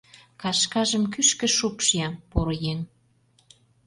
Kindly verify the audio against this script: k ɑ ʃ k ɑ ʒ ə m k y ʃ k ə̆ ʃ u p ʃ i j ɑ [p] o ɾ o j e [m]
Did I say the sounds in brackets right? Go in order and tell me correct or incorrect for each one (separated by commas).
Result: correct, incorrect